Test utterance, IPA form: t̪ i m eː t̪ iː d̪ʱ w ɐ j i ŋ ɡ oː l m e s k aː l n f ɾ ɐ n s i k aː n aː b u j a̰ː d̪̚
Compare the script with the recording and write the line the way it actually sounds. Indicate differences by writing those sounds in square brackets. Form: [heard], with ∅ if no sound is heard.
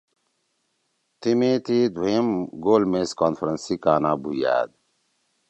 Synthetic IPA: t̪ i m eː t̪ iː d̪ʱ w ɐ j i [m] ɡ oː l m e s k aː [∅] n f ɾ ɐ n s i k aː n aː b u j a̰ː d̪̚